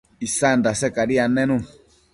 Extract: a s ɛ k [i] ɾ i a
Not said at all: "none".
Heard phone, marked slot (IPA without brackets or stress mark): a